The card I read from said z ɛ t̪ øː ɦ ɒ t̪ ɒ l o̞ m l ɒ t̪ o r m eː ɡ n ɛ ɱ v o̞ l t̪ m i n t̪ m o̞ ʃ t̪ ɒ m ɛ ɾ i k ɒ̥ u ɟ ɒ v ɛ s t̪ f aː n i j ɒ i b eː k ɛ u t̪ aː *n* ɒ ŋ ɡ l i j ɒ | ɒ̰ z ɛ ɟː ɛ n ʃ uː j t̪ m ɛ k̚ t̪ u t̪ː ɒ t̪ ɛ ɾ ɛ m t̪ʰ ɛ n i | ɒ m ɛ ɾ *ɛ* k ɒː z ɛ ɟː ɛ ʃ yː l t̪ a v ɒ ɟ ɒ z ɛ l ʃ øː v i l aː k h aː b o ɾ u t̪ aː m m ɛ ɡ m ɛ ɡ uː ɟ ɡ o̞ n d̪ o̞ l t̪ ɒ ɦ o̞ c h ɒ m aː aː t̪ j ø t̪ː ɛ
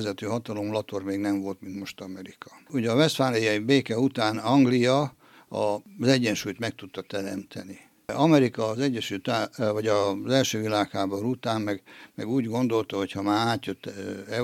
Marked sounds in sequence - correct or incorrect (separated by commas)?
correct, incorrect